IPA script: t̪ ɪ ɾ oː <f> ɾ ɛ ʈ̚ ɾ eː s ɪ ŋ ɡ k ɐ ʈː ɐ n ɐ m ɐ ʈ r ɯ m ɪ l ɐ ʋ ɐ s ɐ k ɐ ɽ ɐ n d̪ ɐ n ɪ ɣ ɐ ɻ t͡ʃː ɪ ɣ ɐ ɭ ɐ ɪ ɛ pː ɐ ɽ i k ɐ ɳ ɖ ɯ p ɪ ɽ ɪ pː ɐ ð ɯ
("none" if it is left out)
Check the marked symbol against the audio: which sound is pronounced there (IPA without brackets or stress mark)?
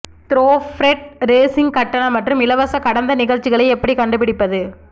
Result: f